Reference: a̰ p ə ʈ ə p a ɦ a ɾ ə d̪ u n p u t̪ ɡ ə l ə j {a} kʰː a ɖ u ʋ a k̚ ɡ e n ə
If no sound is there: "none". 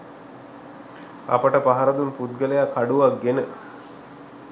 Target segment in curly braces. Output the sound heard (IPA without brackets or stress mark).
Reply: a